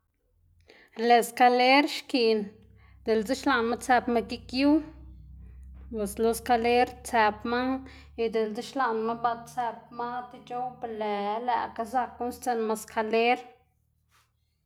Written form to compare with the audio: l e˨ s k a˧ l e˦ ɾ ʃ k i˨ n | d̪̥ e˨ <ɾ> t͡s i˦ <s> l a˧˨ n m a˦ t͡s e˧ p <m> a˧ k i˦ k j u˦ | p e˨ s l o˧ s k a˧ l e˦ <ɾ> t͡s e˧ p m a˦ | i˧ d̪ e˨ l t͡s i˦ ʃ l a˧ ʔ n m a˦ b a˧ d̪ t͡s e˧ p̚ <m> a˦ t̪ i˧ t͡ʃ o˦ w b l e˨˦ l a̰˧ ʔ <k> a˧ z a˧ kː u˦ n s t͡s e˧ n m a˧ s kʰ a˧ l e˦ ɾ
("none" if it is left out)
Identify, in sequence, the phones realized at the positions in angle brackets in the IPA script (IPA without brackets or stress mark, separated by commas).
l, ʃ, m, ɾ, m, k